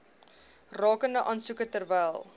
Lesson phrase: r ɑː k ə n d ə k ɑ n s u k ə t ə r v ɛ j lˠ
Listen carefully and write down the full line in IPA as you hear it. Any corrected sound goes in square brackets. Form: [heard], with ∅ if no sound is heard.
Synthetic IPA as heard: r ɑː k ə n d ə [ʔ] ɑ n s u k ə t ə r v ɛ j lˠ